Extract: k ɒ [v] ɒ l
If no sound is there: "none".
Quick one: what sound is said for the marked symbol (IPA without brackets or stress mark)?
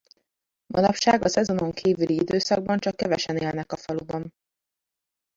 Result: f